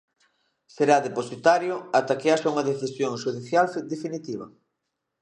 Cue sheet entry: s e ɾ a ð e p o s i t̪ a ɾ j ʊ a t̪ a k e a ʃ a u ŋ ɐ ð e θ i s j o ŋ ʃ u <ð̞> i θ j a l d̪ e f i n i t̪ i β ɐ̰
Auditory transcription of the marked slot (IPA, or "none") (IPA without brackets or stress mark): ð̞